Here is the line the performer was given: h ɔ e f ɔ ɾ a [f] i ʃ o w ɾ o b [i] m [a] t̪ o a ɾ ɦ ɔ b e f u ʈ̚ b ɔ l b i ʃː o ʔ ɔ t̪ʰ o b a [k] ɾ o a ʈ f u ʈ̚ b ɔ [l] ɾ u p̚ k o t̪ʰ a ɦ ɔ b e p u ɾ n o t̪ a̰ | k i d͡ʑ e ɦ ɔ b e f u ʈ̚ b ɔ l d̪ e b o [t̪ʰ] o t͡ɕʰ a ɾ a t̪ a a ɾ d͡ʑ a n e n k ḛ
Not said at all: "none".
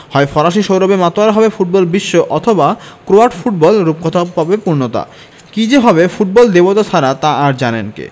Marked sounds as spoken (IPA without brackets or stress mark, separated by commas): ʃ, e, a, k, l, t̪